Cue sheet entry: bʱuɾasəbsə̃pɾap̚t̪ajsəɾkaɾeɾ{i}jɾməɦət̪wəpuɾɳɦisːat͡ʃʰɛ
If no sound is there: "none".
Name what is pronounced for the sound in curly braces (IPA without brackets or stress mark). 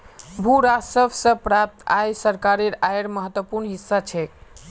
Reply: a